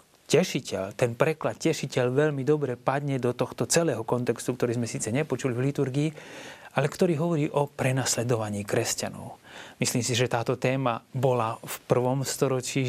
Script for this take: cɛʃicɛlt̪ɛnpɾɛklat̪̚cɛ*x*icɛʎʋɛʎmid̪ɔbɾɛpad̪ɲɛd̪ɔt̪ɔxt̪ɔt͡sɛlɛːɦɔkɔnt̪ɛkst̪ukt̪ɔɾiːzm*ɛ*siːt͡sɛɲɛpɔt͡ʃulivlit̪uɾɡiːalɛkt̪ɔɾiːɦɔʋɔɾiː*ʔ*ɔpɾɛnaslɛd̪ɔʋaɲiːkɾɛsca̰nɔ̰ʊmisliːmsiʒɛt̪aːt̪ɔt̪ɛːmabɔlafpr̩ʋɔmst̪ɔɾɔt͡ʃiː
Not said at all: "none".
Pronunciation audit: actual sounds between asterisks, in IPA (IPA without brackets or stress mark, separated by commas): ʃ, ɛ, ʔ